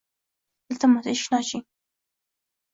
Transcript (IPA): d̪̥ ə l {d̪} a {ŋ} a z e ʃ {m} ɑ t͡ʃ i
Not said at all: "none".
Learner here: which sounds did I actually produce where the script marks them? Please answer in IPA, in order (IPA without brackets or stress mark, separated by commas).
t̪, m, n